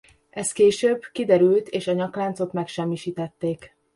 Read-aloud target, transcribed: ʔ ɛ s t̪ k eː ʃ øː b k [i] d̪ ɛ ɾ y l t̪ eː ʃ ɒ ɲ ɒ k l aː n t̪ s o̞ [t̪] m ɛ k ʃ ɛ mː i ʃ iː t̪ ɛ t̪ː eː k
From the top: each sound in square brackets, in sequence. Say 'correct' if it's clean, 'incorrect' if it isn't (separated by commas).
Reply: correct, correct